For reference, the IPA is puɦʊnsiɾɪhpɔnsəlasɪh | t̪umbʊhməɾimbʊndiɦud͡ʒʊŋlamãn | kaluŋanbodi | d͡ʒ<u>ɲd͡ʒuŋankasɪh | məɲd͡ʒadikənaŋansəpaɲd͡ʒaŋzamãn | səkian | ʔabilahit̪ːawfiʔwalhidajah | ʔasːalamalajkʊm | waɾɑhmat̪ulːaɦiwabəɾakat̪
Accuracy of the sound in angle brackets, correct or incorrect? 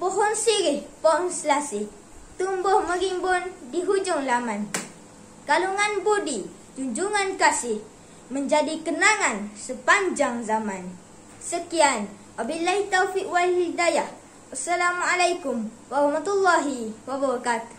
correct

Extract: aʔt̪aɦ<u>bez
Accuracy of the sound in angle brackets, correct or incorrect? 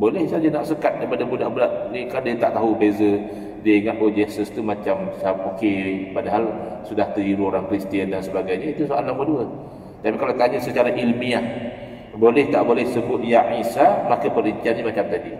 correct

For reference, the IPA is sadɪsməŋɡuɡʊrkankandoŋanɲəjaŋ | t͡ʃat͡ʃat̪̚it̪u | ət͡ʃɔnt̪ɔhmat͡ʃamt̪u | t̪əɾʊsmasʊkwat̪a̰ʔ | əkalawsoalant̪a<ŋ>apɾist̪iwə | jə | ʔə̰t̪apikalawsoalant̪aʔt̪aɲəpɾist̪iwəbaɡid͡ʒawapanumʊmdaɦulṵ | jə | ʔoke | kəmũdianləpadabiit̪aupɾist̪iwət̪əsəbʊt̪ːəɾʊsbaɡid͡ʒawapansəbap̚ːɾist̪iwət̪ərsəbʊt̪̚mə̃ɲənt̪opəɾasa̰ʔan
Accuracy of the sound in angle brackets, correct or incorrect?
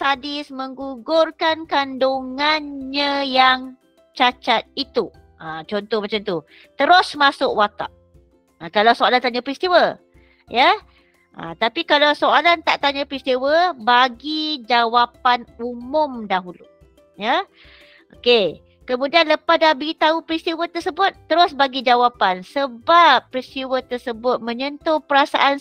incorrect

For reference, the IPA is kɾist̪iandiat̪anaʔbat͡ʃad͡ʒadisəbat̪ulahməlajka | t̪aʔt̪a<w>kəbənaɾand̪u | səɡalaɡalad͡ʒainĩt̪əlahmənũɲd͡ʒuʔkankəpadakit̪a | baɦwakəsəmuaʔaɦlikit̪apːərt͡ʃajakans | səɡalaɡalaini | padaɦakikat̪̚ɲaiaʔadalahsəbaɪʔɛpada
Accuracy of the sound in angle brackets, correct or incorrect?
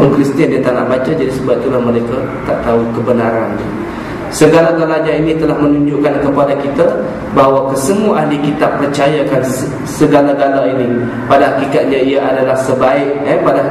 incorrect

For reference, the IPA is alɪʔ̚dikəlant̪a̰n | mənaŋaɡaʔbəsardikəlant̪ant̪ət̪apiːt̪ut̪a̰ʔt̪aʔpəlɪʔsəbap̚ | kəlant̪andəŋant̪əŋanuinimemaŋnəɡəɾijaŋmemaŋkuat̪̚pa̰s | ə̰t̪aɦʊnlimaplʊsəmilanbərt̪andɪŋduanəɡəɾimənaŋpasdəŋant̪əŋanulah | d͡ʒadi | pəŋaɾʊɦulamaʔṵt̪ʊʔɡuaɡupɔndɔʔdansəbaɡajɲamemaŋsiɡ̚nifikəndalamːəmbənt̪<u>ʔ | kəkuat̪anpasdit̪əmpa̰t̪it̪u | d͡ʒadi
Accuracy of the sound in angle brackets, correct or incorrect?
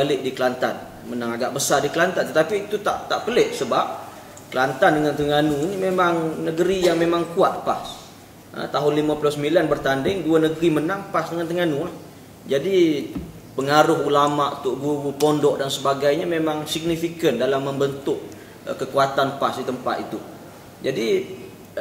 incorrect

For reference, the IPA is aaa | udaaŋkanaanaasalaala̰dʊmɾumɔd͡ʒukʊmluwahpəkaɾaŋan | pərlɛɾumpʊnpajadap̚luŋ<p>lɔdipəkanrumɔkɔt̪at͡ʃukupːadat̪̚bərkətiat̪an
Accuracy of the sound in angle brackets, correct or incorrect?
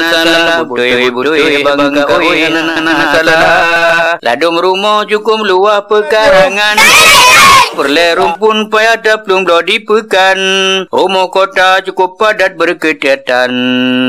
incorrect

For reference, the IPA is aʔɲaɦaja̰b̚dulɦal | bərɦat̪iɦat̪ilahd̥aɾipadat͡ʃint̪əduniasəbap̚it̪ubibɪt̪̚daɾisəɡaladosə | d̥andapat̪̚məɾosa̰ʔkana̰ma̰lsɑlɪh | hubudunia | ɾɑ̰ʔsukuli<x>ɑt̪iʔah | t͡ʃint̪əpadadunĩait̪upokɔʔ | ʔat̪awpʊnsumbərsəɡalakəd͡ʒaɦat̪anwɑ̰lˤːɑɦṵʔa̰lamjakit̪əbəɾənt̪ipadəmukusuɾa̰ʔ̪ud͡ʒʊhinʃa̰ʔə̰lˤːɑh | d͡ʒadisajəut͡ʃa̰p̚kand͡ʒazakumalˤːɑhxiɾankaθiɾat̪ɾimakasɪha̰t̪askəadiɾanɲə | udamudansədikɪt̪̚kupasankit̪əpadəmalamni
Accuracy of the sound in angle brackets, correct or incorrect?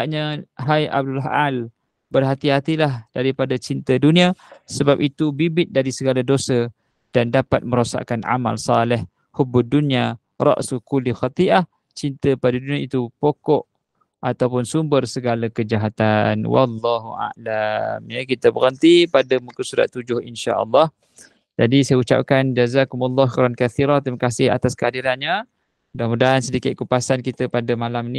correct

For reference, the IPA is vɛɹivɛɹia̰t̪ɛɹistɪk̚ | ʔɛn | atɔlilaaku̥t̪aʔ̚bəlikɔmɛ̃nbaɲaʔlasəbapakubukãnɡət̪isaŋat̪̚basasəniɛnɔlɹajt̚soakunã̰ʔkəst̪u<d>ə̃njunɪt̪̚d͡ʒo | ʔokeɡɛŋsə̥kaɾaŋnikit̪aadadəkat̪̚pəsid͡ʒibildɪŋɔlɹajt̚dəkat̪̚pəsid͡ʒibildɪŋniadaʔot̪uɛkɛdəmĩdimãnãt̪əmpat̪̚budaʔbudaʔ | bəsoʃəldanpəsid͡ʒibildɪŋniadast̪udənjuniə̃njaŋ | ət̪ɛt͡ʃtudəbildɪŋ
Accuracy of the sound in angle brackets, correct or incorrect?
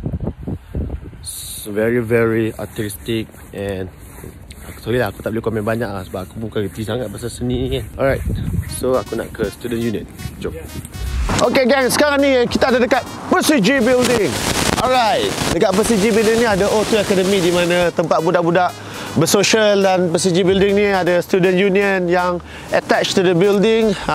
correct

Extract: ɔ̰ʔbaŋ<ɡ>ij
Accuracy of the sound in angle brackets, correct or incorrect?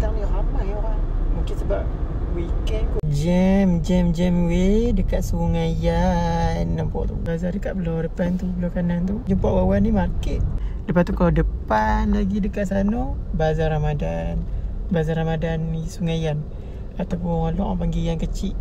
correct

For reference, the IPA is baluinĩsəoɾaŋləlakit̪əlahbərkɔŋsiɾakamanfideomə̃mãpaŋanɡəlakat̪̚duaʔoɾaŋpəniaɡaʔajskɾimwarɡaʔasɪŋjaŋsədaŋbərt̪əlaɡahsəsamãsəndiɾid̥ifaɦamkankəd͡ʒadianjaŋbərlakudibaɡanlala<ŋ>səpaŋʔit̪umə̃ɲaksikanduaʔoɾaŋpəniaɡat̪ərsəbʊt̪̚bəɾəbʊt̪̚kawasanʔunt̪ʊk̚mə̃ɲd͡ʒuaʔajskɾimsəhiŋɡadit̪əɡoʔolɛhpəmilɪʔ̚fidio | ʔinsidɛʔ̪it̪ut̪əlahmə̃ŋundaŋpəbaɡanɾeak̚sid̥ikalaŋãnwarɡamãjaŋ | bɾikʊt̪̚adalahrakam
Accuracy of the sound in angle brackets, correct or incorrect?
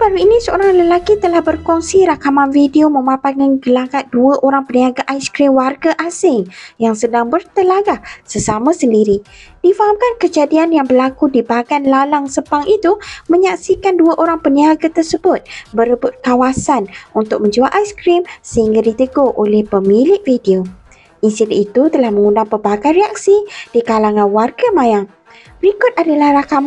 correct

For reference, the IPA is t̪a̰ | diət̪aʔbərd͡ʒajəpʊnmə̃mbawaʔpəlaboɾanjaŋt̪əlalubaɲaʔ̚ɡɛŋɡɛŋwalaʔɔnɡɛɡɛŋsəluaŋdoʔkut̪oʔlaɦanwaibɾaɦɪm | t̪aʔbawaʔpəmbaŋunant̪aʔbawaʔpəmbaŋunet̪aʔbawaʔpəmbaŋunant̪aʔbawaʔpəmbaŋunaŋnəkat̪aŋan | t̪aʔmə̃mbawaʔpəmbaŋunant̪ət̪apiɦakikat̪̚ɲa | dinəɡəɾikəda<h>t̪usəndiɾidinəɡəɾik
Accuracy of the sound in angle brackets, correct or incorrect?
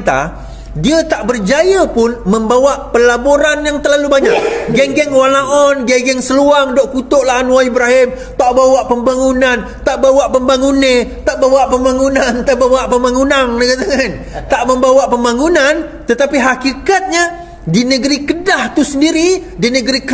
correct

